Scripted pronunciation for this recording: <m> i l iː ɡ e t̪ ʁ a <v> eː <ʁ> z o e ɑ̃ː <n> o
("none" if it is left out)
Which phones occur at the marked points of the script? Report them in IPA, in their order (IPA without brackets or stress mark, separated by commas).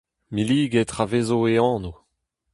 m, v, none, n